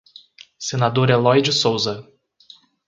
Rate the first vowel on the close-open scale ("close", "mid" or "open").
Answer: mid